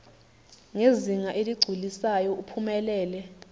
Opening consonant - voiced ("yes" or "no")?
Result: yes